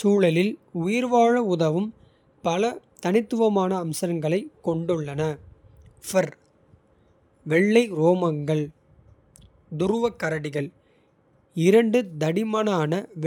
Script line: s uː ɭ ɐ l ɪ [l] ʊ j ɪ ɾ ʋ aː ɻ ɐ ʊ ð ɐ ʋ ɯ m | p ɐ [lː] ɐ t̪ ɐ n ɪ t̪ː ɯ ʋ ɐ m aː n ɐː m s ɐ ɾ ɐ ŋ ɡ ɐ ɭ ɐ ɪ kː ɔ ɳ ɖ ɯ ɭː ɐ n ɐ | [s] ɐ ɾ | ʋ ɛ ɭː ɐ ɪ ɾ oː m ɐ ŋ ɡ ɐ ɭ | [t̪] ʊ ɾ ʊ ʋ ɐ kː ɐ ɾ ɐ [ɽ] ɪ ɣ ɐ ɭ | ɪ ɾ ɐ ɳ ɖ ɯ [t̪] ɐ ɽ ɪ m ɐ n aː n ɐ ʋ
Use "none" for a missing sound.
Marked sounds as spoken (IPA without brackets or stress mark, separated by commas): l, l, f, d̪, ɽ, d̪